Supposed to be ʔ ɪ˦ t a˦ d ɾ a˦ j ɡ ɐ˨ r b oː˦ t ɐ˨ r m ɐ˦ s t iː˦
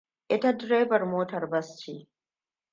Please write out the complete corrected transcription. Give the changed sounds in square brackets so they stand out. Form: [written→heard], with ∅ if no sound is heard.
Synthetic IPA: ʔ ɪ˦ t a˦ d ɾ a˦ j [ɡ→b] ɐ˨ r [b→m] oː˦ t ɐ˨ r [m→b] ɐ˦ s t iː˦

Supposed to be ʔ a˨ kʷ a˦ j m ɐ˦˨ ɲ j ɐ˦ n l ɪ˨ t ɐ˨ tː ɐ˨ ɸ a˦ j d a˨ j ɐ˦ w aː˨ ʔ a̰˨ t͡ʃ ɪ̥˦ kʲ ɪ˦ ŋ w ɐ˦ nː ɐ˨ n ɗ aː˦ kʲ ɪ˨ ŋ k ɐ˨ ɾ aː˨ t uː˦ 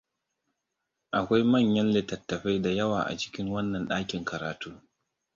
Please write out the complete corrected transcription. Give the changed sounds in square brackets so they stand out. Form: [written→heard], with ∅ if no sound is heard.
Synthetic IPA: ʔ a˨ kʷ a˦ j m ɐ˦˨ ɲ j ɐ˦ n l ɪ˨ t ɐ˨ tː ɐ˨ ɸ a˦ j d a˨ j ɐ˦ w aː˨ ʔ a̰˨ t͡ʃ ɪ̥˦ kʲ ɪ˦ ŋ w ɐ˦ nː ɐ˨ n ɗ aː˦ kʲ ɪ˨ ŋ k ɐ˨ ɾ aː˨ t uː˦

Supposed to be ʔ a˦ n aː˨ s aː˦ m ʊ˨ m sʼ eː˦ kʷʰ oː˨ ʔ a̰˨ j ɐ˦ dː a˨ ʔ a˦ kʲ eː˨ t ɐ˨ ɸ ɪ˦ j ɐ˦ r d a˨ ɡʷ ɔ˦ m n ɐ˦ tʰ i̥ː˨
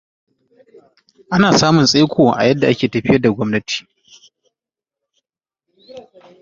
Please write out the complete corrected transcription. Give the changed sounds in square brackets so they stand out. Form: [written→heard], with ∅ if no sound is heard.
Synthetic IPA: ʔ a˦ n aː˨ s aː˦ m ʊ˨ [m→n] sʼ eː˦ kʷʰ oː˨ ʔ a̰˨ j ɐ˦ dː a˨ ʔ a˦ kʲ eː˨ t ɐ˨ ɸ ɪ˦ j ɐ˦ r d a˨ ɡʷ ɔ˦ m n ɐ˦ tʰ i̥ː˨

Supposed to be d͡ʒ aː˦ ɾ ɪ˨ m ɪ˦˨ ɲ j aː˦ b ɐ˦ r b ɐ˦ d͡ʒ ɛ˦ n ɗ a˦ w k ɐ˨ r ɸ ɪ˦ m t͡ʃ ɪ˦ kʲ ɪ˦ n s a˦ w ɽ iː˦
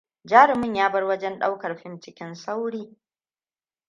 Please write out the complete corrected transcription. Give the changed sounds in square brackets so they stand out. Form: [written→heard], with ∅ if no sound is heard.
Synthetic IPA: d͡ʒ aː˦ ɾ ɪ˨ m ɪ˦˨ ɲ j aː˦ b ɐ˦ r [b→w] ɐ˦ d͡ʒ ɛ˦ n ɗ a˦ w k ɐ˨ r ɸ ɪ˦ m t͡ʃ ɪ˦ kʲ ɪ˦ n s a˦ w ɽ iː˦

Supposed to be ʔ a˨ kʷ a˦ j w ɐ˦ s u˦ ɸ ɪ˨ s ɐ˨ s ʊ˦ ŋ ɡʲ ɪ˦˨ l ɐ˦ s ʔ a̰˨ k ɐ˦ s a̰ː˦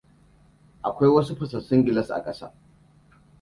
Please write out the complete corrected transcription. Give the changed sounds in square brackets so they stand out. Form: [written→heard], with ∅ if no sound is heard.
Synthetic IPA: ʔ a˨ kʷ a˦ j w ɐ˦ s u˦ ɸ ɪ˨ s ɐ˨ s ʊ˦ ŋ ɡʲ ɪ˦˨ l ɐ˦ s ʔ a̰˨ [k→kʼ] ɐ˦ s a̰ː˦

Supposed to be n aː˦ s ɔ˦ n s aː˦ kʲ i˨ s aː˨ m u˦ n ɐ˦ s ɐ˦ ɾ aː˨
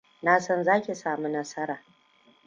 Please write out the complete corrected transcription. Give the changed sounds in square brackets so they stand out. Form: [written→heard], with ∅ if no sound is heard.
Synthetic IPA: n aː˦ s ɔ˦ n [s→z] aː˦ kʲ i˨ s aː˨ m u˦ n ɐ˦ s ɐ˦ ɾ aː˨

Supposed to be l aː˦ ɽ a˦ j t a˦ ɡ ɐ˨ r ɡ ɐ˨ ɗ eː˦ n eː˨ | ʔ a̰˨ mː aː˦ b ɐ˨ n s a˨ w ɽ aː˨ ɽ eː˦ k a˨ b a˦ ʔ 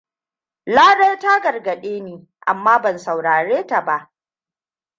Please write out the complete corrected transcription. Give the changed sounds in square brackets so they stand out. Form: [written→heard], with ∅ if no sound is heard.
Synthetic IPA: l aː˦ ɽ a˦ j t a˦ ɡ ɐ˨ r ɡ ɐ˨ ɗ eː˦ n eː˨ | ʔ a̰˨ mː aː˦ b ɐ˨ n s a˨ w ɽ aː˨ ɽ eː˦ [k→t] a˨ b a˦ ʔ

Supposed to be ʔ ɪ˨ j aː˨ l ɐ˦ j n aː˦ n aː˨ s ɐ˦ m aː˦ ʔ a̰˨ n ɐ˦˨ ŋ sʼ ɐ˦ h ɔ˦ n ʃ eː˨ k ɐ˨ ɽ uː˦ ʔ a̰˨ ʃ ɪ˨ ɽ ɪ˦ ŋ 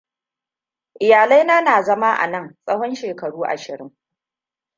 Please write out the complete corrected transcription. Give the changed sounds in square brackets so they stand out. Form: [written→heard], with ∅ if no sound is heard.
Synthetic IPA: ʔ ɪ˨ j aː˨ l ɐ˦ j n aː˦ n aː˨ [s→z] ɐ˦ m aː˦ ʔ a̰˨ n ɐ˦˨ ŋ sʼ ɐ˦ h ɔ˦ n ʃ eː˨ k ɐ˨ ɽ uː˦ ʔ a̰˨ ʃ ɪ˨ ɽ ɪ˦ ŋ

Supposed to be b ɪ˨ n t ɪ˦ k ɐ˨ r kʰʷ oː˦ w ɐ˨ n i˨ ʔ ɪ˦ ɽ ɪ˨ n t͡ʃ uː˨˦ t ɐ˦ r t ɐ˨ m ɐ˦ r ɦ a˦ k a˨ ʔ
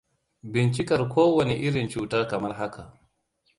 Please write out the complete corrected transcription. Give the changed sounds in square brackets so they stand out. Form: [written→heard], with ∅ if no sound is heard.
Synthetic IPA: b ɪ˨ n [t→t͡ʃ] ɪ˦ k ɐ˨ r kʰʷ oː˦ w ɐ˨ n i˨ ʔ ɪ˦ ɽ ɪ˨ n t͡ʃ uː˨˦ t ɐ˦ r [t→k] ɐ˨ m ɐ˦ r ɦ a˦ k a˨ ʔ

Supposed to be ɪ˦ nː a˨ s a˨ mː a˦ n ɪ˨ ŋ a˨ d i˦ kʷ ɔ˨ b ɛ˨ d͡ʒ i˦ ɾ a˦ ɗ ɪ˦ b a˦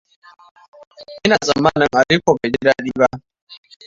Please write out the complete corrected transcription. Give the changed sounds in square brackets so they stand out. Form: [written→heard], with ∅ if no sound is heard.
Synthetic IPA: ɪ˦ [nː→n] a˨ [s→z] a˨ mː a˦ n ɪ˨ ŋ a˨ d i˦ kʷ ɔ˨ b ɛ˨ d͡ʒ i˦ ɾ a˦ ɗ [ɪ˦→i˦] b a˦

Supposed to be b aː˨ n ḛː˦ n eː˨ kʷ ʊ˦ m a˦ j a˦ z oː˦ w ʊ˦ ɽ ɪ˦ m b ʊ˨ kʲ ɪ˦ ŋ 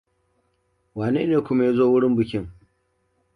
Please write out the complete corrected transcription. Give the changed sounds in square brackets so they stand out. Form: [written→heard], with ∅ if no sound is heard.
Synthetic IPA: [b→w] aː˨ n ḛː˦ n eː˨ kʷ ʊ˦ m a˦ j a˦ z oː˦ w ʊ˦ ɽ ɪ˦ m b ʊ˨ kʲ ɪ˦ ŋ

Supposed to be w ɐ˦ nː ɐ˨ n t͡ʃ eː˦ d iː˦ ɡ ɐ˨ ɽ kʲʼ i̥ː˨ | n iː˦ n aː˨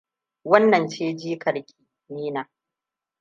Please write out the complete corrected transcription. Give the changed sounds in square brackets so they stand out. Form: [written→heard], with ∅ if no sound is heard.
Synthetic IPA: w ɐ˦ nː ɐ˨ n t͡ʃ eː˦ [d→d͡ʒ] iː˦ [ɡ→k] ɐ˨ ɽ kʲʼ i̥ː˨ | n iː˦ n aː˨

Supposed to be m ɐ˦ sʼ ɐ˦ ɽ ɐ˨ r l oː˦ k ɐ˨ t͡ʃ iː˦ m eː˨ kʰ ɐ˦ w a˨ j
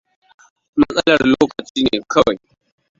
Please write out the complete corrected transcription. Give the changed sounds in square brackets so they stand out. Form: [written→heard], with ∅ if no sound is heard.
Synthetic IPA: m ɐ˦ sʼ ɐ˦ [ɽ→l] ɐ˨ r l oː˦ k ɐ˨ t͡ʃ iː˦ [m→n] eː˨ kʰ ɐ˦ w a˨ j

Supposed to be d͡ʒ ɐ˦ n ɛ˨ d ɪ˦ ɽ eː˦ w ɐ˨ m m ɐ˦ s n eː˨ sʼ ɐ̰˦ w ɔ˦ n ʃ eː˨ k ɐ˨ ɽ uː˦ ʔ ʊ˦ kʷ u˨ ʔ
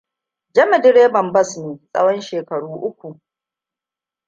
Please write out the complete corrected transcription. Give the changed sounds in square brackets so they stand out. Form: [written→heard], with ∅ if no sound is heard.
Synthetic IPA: d͡ʒ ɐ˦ [n→m] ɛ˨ d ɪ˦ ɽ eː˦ [w→b] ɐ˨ m [m→b] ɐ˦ s n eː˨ sʼ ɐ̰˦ w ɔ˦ n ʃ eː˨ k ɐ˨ ɽ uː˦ ʔ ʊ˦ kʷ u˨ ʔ

